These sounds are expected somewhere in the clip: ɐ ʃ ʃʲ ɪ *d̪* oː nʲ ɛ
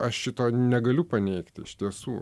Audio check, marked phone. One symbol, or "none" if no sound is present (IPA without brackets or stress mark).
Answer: t̪